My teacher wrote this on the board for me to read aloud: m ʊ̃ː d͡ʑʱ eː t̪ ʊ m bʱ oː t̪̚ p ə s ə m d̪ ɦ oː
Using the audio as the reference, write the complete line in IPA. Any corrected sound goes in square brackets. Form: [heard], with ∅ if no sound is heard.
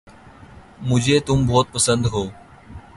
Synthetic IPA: m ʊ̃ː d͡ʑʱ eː t̪ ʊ m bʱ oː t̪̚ p ə s ə [n] d̪ ɦ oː